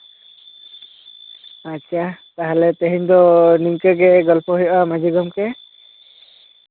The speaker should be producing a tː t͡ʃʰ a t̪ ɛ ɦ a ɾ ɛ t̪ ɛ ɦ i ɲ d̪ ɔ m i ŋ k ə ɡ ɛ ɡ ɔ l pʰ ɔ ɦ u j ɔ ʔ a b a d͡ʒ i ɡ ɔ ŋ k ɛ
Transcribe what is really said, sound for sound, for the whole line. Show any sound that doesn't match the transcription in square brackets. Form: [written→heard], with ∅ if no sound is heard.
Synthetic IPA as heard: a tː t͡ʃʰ a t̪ [ɛ→a] ɦ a [ɾ→l] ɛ t̪ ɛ ɦ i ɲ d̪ ɔ [m→n] i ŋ k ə ɡ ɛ ɡ ɔ l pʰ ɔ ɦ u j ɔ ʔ a [b→m] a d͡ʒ i ɡ ɔ [ŋ→m] k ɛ